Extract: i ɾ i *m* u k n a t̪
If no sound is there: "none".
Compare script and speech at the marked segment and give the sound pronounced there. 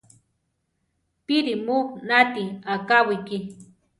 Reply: m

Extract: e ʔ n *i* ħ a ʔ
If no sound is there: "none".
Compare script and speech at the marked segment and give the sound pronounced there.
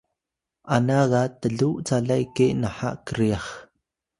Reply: a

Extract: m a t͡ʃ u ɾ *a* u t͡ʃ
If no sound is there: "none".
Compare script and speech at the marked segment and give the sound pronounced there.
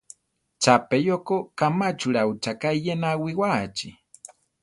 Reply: a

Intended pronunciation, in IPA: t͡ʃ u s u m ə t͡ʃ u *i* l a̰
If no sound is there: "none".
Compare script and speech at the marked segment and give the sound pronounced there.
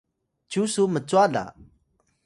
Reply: a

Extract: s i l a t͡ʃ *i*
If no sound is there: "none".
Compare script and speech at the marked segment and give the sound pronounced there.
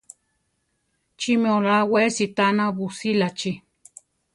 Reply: i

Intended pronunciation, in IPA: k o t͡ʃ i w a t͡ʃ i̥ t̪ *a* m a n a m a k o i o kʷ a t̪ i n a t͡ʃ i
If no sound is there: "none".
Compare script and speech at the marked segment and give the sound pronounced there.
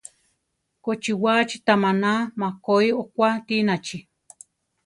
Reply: a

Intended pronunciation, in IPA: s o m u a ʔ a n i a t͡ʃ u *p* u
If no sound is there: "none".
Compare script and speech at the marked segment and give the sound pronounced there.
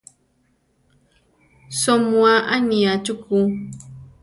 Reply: k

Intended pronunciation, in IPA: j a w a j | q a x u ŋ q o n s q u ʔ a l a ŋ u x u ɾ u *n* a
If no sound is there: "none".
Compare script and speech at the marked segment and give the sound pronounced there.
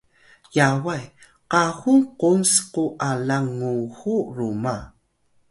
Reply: m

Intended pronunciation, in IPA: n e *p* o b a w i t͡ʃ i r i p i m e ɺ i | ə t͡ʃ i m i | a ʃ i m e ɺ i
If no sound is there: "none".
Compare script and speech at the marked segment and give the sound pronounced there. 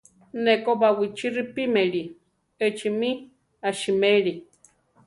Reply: k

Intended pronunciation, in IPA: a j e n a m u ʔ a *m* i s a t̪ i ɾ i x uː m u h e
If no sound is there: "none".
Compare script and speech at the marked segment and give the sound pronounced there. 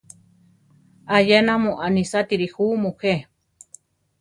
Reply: n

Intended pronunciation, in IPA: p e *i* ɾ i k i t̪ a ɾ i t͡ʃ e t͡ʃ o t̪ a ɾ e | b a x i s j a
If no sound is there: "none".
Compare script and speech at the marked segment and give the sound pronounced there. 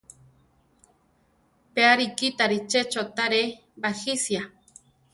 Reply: a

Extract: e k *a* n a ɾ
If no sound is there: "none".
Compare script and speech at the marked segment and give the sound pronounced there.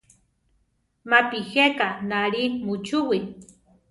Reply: a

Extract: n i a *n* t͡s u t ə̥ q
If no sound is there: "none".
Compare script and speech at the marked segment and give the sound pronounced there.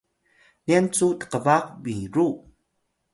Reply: n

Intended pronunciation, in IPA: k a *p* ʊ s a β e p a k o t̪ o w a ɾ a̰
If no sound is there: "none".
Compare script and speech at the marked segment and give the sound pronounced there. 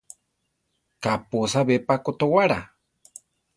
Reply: p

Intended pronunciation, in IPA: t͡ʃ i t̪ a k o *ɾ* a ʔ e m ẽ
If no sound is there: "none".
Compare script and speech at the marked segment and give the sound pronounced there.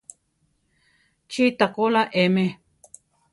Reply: l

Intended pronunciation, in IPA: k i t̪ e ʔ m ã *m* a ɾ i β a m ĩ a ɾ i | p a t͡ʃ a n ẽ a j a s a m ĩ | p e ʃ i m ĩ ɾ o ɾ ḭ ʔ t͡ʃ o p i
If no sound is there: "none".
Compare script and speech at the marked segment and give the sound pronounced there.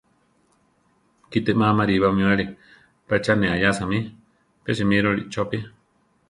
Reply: m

